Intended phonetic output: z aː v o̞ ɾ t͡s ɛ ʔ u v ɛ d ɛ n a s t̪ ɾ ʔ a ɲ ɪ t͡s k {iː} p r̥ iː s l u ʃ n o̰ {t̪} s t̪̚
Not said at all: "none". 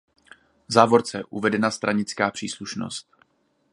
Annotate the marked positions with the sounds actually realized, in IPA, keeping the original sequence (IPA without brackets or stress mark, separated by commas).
aː, none